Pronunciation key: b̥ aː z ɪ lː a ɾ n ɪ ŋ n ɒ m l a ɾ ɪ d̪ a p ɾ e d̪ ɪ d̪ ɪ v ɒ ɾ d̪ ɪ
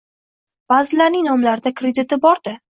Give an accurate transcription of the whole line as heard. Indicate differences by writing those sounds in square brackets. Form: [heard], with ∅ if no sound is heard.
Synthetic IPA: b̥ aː z ɪ [l] a ɾ n ɪ ŋ n ɒ m l a ɾ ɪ d̪ a [k] ɾ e d̪ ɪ [t̪] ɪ [b] ɒ ɾ d̪ ɪ